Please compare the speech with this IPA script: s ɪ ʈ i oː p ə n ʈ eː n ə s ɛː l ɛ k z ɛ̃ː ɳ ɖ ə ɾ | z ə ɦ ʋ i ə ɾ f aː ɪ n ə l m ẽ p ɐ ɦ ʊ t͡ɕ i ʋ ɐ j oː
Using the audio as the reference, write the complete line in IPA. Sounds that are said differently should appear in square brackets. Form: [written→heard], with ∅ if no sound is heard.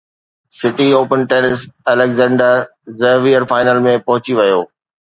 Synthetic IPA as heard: s ɪ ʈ i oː p ə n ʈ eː n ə s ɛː l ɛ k z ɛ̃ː ɳ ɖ ə ɾ | z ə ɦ ʋ i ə ɾ f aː ɪ n ə l m ẽ p ɐ ɦ ʊ t͡ɕ i ʋ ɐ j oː